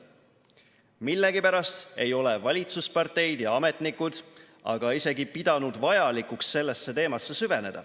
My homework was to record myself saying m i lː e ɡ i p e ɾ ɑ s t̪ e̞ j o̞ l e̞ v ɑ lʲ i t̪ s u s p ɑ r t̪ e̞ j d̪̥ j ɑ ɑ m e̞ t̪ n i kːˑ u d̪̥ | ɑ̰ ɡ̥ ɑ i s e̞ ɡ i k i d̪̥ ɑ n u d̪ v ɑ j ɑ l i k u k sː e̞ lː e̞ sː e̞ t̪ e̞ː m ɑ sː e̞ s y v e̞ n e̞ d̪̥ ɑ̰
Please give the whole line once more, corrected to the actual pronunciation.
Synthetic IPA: m i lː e ɡ i p æ ɾ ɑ s t̪ e̞ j o̞ l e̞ v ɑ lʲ i t̪ s u s p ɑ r t̪ e̞ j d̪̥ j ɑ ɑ m e̞ t̪ n i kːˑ u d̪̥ | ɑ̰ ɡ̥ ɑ i s e̞ ɡ i p i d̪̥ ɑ n u d̪ v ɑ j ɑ l i k u k sː e̞ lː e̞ sː e̞ t̪ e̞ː m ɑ sː e̞ s y v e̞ n e̞ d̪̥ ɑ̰